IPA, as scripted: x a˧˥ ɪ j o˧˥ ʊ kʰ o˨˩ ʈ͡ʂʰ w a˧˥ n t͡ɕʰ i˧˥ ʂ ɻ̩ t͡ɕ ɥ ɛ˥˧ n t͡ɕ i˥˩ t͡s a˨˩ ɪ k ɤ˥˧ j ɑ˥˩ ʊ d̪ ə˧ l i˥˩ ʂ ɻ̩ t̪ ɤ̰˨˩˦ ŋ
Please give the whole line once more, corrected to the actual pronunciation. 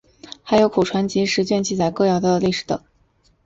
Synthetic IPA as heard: x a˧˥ ɪ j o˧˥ ʊ kʰ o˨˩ ʈ͡ʂʰ w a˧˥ n t͡ɕ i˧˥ ʂ ɻ̩ t͡ɕ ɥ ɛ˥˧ n t͡ɕ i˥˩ t͡s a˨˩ ɪ k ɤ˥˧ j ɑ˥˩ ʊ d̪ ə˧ l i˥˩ ʂ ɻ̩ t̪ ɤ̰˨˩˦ ŋ